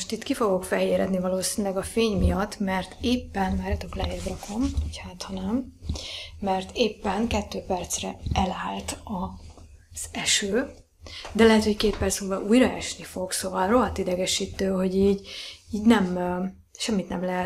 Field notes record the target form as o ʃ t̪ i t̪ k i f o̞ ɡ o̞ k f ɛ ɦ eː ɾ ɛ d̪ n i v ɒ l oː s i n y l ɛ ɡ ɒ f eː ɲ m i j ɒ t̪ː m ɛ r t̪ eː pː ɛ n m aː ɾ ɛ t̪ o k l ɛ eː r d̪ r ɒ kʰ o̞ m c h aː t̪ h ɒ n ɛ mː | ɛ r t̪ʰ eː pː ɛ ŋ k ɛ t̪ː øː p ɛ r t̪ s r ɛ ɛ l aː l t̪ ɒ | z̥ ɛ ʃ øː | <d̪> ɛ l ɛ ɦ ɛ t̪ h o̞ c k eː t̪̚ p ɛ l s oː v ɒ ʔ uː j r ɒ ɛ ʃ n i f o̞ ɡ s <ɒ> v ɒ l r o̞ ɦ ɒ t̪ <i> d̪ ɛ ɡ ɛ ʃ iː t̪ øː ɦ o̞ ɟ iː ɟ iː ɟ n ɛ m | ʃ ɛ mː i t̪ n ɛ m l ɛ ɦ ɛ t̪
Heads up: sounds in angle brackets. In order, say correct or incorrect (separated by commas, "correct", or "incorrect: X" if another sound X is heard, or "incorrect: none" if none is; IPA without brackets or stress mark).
correct, incorrect: o, correct